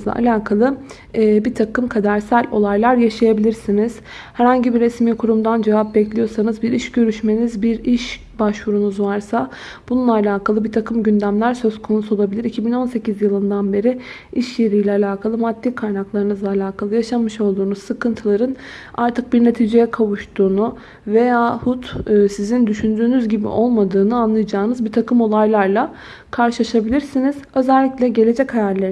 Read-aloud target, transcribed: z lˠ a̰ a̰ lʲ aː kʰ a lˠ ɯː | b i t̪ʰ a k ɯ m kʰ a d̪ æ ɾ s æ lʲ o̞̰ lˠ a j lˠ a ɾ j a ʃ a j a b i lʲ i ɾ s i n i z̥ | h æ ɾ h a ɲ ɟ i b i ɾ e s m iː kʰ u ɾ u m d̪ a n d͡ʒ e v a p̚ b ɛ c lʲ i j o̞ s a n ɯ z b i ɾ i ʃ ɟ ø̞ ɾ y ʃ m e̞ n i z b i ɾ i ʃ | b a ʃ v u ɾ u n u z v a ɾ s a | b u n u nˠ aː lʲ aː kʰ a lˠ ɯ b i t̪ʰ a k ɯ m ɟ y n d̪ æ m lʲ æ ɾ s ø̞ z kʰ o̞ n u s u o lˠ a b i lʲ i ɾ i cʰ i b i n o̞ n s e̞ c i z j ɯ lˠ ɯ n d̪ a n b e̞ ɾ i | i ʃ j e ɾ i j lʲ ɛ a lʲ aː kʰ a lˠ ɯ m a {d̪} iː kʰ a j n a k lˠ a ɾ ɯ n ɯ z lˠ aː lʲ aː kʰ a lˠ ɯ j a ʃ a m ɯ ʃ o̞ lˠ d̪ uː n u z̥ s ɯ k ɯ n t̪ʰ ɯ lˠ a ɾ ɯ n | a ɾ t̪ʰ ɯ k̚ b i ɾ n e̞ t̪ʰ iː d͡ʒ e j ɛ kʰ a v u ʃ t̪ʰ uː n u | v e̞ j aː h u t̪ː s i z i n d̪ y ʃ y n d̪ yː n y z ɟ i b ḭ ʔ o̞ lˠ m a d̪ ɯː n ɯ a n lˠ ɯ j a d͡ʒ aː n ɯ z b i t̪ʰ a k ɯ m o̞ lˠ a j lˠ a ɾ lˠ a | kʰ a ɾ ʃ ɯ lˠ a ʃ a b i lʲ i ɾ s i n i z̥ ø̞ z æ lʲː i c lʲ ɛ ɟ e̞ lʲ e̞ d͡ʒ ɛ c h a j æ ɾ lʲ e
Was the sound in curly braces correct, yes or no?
no